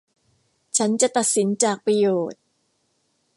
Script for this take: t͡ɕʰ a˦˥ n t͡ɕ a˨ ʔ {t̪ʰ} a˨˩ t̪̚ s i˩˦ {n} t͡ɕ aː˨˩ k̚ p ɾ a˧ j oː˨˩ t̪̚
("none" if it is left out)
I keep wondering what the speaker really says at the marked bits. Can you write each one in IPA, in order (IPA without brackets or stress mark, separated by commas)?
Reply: t̪, n